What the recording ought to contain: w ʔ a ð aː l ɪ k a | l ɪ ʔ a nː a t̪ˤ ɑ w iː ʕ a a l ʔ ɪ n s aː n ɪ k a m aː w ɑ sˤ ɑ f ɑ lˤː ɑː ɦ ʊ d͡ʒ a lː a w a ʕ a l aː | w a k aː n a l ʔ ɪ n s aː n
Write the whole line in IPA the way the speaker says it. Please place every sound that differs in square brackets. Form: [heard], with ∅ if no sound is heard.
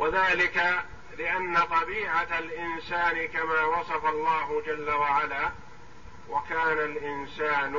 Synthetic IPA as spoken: w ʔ a ð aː l ɪ k a | l ɪ ʔ a nː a t̪ˤ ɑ [b] iː ʕ a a l ʔ ɪ n s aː n ɪ k a m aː w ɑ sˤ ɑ f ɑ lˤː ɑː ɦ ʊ d͡ʒ a lː a w a ʕ a l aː | w a k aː n a l ʔ ɪ n s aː n